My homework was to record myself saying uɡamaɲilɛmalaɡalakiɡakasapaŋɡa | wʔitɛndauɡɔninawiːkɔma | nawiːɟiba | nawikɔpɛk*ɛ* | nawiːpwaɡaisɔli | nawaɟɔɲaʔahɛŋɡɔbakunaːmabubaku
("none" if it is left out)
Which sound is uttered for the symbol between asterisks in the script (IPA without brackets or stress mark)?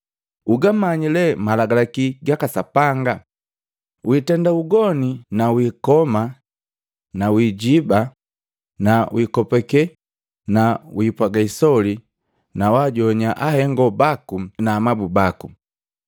ɛ